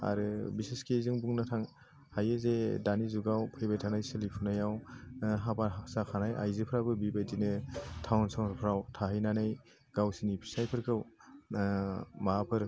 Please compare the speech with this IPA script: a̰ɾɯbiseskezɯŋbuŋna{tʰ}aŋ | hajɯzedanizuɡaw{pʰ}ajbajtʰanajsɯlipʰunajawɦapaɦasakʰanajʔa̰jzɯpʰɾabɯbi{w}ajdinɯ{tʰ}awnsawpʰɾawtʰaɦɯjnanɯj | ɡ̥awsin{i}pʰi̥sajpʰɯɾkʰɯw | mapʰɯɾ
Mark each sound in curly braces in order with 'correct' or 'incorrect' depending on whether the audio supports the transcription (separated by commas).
correct, correct, incorrect, correct, correct